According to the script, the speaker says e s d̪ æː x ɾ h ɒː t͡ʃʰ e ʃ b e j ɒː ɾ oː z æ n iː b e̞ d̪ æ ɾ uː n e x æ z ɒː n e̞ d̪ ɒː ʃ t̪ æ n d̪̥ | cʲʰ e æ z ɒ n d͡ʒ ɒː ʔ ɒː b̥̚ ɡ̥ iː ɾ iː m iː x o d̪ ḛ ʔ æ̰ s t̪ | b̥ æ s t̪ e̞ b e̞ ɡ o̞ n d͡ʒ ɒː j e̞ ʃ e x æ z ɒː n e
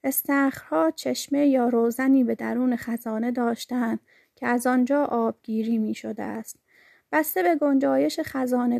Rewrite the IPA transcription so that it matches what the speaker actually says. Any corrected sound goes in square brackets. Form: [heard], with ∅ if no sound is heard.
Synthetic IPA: e s [t̪] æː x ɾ h ɒː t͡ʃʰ e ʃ [m] e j ɒː ɾ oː z æ n iː b e̞ d̪ æ ɾ uː n e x æ z ɒː n e̞ d̪ ɒː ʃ t̪ æ n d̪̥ | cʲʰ e æ z ɒ n d͡ʒ ɒː ʔ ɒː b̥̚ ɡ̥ iː ɾ iː m iː [ʃ] o d̪ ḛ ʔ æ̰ s t̪ | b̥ æ s t̪ e̞ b e̞ ɡ o̞ n d͡ʒ ɒː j e̞ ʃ e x æ z ɒː n e